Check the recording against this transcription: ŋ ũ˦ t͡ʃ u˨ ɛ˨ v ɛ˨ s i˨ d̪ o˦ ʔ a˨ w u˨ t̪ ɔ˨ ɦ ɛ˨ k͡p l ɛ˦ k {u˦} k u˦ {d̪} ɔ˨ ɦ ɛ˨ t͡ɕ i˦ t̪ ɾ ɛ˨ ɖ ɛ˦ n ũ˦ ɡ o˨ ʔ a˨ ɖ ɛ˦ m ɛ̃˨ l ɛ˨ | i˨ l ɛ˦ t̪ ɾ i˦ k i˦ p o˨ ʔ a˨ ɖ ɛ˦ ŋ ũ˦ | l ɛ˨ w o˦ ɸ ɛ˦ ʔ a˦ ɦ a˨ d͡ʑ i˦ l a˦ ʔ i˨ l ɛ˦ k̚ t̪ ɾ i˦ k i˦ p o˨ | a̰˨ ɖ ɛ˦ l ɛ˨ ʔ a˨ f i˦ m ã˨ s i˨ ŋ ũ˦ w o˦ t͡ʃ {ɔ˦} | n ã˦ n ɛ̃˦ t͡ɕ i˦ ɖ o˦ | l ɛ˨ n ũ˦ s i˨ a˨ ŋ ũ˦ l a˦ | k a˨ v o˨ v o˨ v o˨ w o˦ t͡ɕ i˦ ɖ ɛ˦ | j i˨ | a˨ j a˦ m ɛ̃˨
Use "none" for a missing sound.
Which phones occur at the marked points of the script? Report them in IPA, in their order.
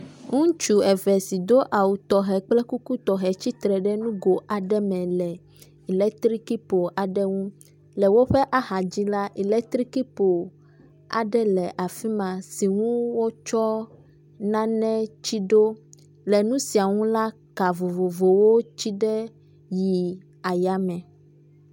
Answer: u˦, t̪, ɔ˦

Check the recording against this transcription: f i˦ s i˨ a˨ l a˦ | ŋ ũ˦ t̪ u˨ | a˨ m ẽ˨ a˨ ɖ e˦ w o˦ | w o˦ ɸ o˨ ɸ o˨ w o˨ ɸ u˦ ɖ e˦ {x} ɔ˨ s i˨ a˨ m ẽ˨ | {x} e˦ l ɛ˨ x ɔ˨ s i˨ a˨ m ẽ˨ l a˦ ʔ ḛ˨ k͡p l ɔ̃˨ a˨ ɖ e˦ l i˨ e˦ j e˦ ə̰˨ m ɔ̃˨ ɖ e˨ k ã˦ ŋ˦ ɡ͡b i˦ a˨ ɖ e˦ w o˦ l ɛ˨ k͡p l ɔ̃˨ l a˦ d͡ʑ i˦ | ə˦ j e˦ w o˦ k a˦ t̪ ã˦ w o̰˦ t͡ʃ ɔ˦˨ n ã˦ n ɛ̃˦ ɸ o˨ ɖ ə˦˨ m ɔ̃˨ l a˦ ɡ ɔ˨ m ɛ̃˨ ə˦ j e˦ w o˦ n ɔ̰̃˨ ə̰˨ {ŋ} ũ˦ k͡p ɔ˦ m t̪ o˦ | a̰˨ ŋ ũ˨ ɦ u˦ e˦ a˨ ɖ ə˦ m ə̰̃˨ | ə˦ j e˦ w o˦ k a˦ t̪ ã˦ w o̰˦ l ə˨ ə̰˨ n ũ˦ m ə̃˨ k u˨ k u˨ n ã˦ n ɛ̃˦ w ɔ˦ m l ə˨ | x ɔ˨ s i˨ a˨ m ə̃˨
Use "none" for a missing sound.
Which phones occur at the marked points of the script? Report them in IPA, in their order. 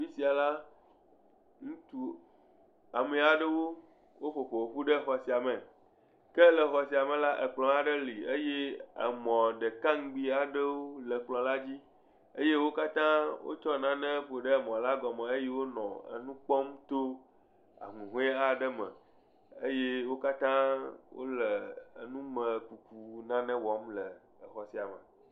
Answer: x, k, n

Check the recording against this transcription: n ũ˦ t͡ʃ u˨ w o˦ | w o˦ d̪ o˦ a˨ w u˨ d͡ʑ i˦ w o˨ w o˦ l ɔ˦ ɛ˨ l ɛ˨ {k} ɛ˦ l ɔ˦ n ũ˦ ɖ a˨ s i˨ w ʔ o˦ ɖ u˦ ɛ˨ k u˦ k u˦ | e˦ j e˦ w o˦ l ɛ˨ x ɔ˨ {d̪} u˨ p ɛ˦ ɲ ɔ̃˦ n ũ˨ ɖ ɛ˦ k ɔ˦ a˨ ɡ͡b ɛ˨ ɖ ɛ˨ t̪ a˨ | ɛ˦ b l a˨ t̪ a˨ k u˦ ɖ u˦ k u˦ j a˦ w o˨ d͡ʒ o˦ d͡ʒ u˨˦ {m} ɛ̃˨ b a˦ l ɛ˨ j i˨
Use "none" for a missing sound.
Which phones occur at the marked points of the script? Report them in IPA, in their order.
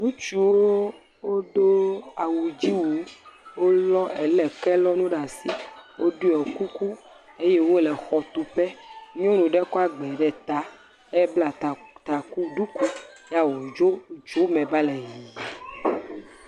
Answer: k, t̪, m

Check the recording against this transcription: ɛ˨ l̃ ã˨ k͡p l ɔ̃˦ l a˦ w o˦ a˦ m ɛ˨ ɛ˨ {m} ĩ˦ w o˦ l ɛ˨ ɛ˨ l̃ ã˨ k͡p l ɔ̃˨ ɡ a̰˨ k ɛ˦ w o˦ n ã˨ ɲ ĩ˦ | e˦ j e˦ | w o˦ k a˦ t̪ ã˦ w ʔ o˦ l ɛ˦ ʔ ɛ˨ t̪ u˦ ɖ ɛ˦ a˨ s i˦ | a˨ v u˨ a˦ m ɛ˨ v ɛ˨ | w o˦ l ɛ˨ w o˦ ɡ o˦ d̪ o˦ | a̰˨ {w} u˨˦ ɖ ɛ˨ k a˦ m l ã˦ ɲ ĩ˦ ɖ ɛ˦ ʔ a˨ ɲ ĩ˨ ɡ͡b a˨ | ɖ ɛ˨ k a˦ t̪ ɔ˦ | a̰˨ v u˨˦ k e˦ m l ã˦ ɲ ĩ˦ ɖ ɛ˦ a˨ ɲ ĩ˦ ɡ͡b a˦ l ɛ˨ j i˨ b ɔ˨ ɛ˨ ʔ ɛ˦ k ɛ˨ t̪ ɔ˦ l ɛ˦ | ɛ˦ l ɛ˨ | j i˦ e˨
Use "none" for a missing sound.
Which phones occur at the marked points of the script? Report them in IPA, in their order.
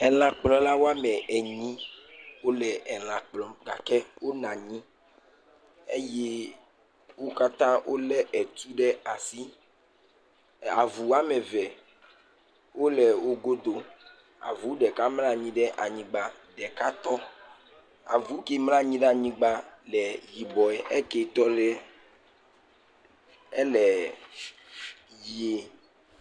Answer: ɲ, v

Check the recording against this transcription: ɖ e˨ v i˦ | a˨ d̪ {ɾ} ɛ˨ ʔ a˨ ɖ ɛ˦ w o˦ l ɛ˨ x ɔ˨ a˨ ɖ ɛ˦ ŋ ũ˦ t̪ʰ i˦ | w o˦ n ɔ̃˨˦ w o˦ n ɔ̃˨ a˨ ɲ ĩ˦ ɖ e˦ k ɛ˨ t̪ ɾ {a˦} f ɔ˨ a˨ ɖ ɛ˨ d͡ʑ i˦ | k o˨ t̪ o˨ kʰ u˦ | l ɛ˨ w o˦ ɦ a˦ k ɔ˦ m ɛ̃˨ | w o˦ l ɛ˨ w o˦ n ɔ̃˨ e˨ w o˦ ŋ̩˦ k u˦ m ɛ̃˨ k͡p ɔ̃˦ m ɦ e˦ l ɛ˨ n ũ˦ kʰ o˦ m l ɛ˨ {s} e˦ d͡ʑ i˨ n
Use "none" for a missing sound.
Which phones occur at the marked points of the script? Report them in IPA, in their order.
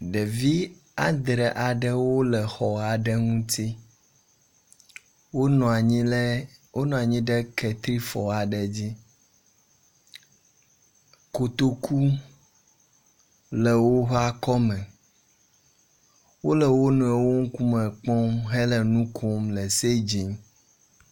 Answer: ɾ, i˦, s

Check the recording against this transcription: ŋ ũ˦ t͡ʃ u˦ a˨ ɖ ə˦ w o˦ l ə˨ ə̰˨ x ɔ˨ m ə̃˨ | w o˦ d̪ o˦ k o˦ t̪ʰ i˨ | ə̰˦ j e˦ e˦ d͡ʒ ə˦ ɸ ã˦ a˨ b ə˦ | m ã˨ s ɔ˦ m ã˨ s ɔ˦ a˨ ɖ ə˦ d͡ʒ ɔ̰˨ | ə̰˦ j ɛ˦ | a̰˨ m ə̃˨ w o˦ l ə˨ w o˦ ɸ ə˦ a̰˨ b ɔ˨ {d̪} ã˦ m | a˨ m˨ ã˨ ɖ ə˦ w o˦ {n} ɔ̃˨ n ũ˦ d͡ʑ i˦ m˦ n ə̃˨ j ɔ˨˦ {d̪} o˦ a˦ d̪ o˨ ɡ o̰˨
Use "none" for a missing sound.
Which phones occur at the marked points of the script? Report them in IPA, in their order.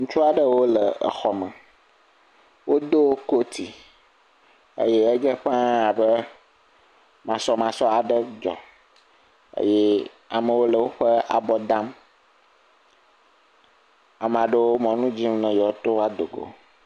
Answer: d̪, m, t̪

